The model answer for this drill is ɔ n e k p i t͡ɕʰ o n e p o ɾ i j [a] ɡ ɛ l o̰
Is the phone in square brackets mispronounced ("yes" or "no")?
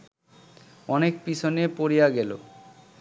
no